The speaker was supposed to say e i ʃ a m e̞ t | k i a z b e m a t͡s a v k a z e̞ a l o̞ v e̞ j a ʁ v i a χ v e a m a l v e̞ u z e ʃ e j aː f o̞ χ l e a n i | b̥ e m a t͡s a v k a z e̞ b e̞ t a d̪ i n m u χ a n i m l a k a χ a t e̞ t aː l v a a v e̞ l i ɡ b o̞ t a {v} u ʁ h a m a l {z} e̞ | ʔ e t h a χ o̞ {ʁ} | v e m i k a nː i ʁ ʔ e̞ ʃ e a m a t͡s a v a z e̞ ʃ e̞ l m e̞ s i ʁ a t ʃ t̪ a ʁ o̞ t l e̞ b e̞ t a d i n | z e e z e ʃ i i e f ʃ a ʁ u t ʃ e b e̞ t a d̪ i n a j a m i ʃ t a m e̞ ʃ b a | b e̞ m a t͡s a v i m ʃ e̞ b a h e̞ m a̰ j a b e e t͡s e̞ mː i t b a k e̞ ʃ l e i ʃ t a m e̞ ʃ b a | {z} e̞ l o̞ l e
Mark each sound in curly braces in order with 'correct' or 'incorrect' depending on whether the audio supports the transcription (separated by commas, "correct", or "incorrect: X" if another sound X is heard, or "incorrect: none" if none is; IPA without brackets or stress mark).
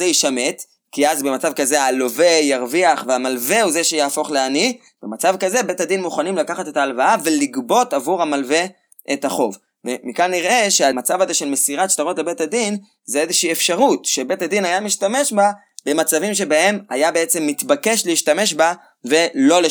correct, incorrect: v, incorrect: v, incorrect: v